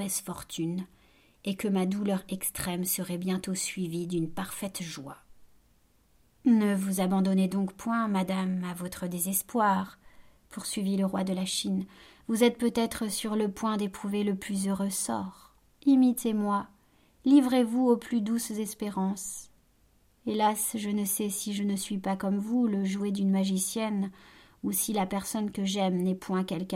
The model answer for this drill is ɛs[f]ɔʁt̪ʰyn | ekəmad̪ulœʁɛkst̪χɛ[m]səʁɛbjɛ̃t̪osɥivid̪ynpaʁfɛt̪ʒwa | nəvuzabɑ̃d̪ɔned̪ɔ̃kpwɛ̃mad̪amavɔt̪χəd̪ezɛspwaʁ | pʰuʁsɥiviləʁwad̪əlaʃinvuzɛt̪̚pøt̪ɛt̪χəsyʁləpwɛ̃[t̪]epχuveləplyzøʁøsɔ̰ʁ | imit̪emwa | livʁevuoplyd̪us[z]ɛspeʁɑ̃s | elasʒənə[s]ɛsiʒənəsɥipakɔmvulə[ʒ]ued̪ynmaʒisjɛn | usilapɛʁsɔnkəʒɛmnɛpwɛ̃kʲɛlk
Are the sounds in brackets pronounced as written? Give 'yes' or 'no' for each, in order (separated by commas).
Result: yes, yes, no, yes, yes, yes